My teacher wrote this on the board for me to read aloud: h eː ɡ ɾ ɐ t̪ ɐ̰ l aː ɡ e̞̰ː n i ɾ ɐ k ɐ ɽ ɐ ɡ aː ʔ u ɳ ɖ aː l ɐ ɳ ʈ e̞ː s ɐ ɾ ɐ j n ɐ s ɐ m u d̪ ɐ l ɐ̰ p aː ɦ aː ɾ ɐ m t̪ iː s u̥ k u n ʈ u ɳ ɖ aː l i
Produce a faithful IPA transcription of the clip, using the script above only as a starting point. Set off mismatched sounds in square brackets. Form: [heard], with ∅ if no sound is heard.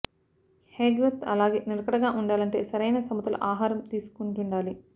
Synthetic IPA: h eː ɡ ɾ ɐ t̪ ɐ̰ l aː ɡ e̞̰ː n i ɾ ɐ k ɐ ɽ ɐ ɡ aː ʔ u ɳ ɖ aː l ɐ ɳ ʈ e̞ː s ɐ ɾ ɐ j n ɐ s ɐ m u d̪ ɐ l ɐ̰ [ʔ] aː ɦ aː ɾ ɐ m t̪ iː s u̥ k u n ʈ u ɳ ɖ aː l i